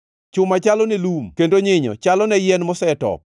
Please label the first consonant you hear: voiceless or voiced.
voiceless